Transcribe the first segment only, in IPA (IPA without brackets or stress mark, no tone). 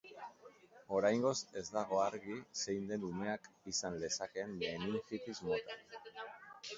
o̞